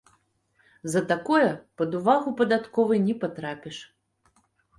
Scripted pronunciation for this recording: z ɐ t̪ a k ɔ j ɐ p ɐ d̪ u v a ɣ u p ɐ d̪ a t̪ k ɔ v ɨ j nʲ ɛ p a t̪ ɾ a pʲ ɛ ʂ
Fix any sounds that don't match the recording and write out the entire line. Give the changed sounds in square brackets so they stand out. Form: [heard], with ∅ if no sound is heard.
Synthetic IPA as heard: z ɐ t̪ a k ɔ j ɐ p ɐ d̪ u v a ɣ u p ɐ d̪ a t̪ k ɔ v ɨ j nʲ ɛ p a t̪ ɾ a pʲ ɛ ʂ